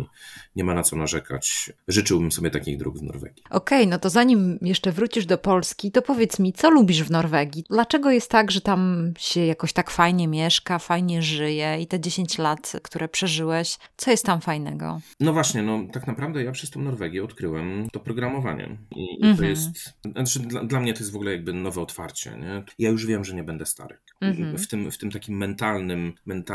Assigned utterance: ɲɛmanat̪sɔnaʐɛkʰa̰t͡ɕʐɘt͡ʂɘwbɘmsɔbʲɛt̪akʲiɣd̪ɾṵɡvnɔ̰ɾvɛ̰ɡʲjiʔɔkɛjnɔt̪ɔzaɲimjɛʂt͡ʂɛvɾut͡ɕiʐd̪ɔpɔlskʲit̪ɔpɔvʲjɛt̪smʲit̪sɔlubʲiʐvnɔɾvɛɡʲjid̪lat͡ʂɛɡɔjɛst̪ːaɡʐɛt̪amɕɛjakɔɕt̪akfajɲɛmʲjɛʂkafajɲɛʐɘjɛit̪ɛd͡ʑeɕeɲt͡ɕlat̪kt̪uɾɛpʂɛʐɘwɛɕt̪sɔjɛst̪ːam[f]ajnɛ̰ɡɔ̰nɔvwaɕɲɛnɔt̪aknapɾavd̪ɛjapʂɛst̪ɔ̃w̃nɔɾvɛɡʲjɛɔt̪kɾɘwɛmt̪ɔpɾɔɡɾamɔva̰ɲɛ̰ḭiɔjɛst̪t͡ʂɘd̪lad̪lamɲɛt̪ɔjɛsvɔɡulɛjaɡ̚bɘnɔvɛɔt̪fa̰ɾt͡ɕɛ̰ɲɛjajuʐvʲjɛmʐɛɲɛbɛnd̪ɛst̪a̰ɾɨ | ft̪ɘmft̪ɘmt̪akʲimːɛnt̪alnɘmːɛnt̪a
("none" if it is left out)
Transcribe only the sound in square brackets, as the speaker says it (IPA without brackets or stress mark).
f